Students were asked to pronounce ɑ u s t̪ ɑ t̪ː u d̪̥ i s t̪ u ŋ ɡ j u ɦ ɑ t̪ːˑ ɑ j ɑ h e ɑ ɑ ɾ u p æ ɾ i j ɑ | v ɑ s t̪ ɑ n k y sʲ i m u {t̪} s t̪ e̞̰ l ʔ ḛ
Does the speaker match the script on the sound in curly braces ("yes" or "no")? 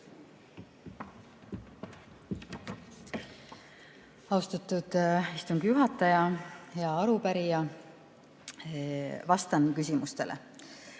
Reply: no